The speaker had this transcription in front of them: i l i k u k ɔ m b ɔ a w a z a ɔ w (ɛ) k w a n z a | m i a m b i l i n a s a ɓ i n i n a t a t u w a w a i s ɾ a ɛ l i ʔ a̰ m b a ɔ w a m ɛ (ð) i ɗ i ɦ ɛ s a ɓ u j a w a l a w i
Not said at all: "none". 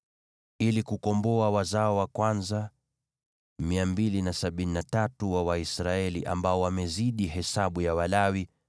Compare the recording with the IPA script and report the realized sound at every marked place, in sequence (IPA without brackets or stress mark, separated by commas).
a, z